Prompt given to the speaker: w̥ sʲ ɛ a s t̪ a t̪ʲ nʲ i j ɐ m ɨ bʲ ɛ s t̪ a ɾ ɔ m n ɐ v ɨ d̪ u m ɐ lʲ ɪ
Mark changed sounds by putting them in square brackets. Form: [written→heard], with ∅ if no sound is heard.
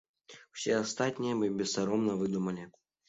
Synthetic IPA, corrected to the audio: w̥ sʲ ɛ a s t̪ a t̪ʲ nʲ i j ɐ m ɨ bʲ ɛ s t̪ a ɾ ɔ m n ɐ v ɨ d̪ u m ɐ lʲ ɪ